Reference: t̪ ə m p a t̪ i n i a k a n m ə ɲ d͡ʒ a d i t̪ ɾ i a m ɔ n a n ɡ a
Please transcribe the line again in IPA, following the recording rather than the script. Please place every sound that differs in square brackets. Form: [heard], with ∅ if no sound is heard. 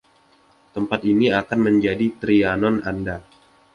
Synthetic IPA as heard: t̪ ə m p a t̪ i n i a k a n m ə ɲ d͡ʒ a d i t̪ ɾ i a [n] ɔ n a n [d] a